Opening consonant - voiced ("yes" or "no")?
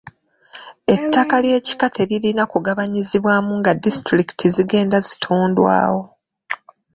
no